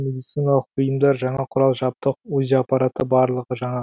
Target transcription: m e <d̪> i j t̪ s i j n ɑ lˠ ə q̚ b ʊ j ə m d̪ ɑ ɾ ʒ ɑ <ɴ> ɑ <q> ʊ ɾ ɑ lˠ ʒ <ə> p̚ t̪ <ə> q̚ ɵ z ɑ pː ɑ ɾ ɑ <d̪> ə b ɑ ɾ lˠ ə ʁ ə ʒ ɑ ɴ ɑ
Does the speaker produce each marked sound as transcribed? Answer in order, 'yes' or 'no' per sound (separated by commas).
yes, yes, no, no, yes, no